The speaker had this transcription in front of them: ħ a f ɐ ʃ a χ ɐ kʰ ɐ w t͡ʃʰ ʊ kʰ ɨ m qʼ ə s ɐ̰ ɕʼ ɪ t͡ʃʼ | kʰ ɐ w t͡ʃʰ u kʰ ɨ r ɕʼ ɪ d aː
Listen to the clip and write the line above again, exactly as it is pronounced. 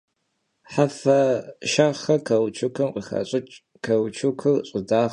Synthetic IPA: ħ a f ɐ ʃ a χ ɐ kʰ ɐ w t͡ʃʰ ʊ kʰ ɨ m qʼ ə x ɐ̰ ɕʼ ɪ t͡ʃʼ | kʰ ɐ w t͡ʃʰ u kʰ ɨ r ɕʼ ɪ d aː